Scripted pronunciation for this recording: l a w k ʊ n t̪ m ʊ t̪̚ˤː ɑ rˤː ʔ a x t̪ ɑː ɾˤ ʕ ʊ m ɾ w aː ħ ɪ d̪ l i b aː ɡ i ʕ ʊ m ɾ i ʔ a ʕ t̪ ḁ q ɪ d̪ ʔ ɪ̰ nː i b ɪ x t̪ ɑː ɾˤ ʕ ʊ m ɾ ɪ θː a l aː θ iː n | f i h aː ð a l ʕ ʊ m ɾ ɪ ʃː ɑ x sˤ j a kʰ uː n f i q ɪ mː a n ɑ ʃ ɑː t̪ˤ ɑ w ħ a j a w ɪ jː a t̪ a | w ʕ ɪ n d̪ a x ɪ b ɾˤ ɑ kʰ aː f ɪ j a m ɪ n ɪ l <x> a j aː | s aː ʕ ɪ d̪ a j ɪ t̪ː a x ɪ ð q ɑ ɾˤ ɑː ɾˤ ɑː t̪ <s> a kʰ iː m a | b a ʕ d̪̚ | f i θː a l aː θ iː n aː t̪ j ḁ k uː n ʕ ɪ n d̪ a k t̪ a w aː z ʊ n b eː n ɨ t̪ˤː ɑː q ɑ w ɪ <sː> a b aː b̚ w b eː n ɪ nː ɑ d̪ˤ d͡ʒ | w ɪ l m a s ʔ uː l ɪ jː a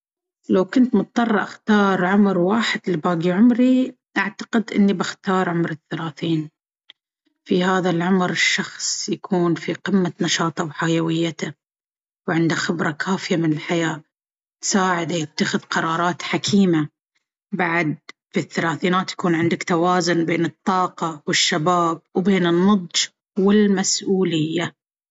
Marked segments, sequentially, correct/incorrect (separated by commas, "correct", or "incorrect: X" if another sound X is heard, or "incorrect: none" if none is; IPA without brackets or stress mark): incorrect: ħ, incorrect: ħ, incorrect: ʃː